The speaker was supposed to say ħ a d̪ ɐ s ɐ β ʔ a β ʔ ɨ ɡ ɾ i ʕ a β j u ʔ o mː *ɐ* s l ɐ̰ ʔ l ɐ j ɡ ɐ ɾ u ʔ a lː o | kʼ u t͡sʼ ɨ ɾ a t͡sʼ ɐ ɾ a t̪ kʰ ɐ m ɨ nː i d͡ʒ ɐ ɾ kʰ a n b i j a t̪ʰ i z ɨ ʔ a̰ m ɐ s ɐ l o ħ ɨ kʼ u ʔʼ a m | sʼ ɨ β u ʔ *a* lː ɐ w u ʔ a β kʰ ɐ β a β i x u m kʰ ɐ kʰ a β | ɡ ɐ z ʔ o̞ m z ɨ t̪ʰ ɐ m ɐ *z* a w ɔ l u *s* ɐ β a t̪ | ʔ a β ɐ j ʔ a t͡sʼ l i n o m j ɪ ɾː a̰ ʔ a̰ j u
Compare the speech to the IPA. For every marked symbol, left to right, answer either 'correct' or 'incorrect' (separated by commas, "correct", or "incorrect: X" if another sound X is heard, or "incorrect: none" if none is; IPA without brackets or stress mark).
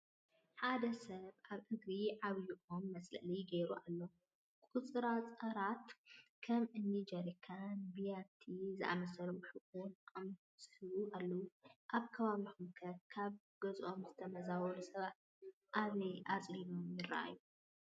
correct, correct, correct, correct